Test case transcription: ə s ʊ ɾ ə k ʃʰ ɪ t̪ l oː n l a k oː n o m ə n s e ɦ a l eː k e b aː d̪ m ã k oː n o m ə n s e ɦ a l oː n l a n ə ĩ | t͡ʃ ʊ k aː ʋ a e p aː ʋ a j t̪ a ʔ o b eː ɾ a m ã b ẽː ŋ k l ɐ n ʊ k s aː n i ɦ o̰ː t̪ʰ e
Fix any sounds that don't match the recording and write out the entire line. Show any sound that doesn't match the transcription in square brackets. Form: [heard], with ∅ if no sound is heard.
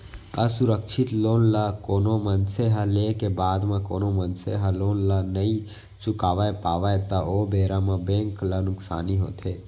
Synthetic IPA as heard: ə s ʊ ɾ ə k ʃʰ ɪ t̪ l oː n l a k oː n o m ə n s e ɦ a l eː k e b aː d̪ m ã k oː n o m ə n s e ɦ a l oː n l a n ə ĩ | t͡ʃ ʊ k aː ʋ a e p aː ʋ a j t̪ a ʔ o b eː ɾ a m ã b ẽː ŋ k l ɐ n ʊ k s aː n i ɦ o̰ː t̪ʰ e